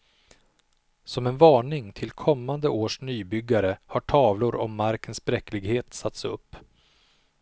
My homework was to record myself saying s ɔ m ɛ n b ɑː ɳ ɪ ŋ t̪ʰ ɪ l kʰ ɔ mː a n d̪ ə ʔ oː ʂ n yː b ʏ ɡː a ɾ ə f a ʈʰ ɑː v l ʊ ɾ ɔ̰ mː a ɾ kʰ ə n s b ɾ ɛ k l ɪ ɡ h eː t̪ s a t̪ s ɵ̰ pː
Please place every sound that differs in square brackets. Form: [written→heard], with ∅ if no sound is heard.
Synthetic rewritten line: s ɔ m ɛ n [b→v] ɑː ɳ ɪ ŋ t̪ʰ ɪ l kʰ ɔ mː a n d̪ ə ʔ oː ʂ n yː b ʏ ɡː a ɾ ə [f→h] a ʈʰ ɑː v l ʊ ɾ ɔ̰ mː a ɾ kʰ ə n s b ɾ ɛ k l ɪ ɡ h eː t̪ s a t̪ s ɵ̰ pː